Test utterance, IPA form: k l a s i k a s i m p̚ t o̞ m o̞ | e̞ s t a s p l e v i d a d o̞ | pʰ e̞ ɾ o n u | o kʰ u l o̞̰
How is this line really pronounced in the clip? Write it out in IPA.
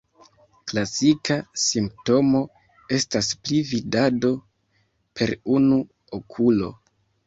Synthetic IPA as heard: k l a s i k a s i m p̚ t o̞ m o̞ | e̞ s t a s p l i v i d a d o̞ | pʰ e̞ ɾ u n u | o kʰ u l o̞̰

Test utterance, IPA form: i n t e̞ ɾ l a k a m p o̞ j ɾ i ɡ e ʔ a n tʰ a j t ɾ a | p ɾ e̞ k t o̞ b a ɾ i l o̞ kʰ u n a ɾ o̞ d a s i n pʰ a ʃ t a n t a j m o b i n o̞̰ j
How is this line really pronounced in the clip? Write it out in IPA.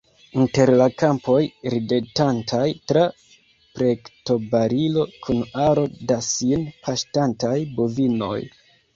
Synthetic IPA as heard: i n t e̞ ɾ l a k a m p o̞ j ɾ i d e t a n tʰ a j t ɾ a | p ɾ e̞ k t o̞ b a ɾ i l o̞ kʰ u n a ɾ o̞ d a s i n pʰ a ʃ t a n t a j b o v i n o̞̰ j

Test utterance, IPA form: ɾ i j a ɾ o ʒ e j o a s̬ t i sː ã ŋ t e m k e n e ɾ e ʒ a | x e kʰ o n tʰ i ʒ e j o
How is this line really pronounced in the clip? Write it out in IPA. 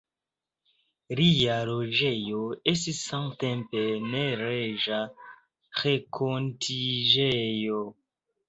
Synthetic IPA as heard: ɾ i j a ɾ o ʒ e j o e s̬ t i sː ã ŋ t e m p e n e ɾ e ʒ a | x e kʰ o n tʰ i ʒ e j o

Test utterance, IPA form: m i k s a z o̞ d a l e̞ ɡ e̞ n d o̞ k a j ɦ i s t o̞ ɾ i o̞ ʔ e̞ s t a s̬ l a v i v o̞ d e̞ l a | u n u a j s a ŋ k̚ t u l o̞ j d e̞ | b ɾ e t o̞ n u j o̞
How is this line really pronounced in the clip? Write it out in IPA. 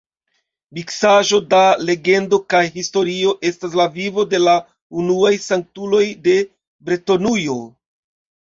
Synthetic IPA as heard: m i k s a ʒ o̞ d a l e̞ ɡ e̞ n d o̞ k a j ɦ i s t o̞ ɾ i o̞ ʔ e̞ s t a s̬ l a v i v o̞ d e̞ l a | u n u a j s a ŋ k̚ t u l o̞ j d e̞ | b ɾ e t o̞ n u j o̞

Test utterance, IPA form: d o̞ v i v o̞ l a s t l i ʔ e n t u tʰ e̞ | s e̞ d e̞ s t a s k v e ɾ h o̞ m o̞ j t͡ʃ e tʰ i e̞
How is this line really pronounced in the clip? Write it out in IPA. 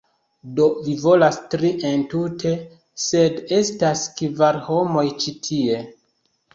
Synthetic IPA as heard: d o̞ v i v o̞ l a s t ɾ i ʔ e n t u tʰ e̞ | s e̞ d e̞ s t a s k v a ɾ h o̞ m o̞ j t͡ʃ i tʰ i e̞

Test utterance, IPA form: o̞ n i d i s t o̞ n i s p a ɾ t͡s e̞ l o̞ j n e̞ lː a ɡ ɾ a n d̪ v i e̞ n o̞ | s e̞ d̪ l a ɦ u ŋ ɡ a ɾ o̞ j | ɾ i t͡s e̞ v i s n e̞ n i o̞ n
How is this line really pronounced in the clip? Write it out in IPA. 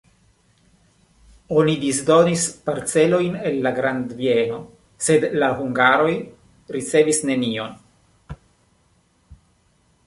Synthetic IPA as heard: o̞ n i d i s d o̞ n i s p a ɾ t͡s e̞ l o̞ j n e̞ lː a ɡ ɾ a n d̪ v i e̞ n o̞ | s e̞ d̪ l a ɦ u ŋ ɡ a ɾ o̞ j | ɾ i t͡s e̞ v i s n e̞ n i o̞ n

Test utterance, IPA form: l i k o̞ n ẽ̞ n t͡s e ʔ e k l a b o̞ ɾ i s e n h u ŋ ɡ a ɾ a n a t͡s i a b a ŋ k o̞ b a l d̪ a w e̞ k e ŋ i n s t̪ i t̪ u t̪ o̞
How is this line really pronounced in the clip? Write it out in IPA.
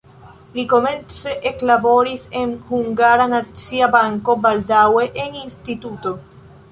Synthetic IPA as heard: l i k o̞ m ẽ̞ n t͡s e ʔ e k l a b o̞ ɾ i s e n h u ŋ ɡ a ɾ a n a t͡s i a b a ŋ k o̞ b a l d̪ a w e̞ ʔ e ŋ i n s t̪ i t̪ u t̪ o̞

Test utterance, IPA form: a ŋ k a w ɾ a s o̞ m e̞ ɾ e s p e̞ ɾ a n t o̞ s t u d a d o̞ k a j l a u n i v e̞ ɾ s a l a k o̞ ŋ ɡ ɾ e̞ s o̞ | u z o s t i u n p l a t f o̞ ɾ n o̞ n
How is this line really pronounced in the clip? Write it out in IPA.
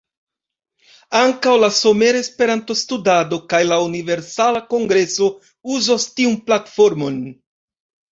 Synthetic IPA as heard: a ŋ k a w l a s o̞ m e̞ ɾ e s p e̞ ɾ a n t o̞ s t u d a d o̞ k a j l a u n i v e̞ ɾ s a l a k o̞ ŋ ɡ ɾ e̞ s o̞ | u z o s t i u n p l a t f o̞ ɾ m o̞ n

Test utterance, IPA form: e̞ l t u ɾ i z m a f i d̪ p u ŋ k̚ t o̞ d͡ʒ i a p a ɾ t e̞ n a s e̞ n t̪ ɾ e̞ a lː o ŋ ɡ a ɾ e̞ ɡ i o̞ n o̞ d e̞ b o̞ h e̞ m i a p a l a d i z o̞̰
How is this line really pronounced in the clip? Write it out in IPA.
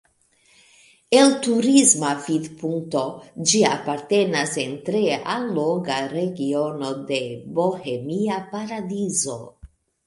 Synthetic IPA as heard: e̞ l t u ɾ i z m a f i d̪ p u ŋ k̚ t o̞ d͡ʒ i a p a ɾ t e̞ n a s e̞ n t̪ ɾ e̞ a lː o ŋ ɡ a ɾ e̞ ɡ i o̞ n o̞ d e̞ b o̞ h e̞ m i a p a ɾ a d i z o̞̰

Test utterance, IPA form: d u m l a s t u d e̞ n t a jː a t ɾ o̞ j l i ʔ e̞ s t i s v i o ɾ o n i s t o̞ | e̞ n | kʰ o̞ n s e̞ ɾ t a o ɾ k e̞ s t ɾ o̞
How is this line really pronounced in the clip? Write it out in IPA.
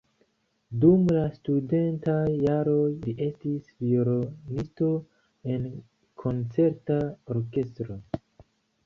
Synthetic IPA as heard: d u m l a s t u d e̞ n t a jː a ɾ o̞ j l i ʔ e̞ s t i s v i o ɾ o n i s t o̞ | e̞ n | kʰ o̞ n t͡s e̞ ɾ t a o ɾ k e̞ s t ɾ o̞

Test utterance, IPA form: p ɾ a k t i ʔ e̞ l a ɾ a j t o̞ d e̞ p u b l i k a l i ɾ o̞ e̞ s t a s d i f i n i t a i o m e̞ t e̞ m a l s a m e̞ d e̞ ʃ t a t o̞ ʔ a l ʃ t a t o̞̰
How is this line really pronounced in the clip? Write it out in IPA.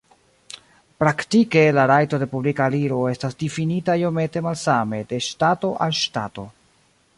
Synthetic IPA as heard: p ɾ a k t i k e̞ l a ɾ a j t o̞ d e̞ p u b l i k a l i ɾ o̞ e̞ s t a s d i f i n i t a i o m e̞ t e̞ m a l s a m e̞ d e̞ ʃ t a t o̞ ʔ a l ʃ t a t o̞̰

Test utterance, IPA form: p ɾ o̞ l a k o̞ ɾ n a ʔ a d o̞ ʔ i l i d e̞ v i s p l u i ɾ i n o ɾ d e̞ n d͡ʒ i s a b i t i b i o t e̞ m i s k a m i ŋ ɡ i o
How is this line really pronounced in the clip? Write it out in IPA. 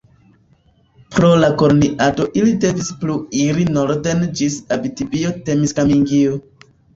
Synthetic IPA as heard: p ɾ o̞ l a k o̞ ɾ n i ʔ a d o̞ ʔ i l i d e̞ v i s p l u i ɾ i n o ɾ d e̞ n d͡ʒ i s a b i t i b i o t e̞ m i s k a m i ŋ ɡ i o

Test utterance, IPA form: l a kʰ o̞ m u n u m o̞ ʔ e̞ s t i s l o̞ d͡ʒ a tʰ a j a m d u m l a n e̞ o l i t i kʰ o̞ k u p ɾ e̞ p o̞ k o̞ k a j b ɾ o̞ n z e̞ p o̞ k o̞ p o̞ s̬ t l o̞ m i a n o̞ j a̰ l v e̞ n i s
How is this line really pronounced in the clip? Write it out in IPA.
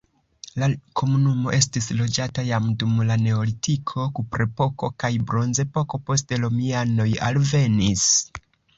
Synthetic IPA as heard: l a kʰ o̞ m u n u m o̞ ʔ e̞ s t i s l o̞ d͡ʒ a t a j a m d u m l a n e̞ o l i t i kʰ o̞ k u p ɾ e̞ p o̞ k o̞ k a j b ɾ o̞ n z e̞ p o̞ k o̞ p o̞ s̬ t l o̞ m i a n o̞ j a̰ l v e̞ n i s

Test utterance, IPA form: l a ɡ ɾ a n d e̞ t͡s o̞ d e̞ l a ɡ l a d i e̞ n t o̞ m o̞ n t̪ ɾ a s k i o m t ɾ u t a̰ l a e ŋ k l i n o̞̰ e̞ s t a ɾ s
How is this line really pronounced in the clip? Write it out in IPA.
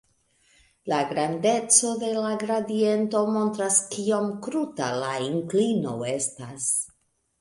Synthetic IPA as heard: l a ɡ ɾ a n d e̞ t͡s o̞ d e̞ l a ɡ ɾ a d i e̞ n t o̞ m o̞ n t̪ ɾ a s k i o m k ɾ u t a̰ l a i ŋ k l i n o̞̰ e̞ s t a s

